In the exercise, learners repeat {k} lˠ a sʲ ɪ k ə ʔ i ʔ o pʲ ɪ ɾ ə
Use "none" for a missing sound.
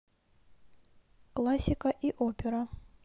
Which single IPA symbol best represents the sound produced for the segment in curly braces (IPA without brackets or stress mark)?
k